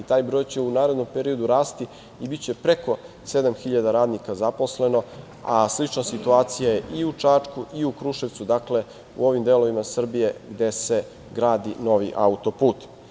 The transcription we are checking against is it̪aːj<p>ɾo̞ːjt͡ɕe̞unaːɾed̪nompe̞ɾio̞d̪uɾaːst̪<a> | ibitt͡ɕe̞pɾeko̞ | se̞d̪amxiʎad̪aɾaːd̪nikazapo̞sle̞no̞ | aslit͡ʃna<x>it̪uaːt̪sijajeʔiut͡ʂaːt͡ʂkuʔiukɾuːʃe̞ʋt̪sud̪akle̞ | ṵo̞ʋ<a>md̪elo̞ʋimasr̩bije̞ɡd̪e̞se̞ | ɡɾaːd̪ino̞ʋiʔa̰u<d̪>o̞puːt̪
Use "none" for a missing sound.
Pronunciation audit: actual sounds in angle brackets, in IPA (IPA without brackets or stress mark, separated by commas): b, i, s, i, t̪